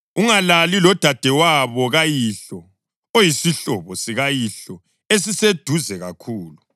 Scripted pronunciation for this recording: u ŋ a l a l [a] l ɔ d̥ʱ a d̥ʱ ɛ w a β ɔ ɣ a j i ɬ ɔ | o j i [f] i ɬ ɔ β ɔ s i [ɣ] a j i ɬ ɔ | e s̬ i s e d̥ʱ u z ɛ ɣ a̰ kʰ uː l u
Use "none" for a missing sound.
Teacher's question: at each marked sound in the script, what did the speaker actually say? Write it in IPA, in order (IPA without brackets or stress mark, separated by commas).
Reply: i, s, ɣ